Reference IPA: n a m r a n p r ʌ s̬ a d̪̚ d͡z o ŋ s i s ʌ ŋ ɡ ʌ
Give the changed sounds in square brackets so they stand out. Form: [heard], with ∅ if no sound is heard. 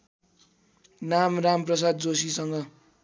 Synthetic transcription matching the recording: n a m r a [m] p r ʌ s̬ a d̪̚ d͡z o [∅] s i s ʌ ŋ ɡ ʌ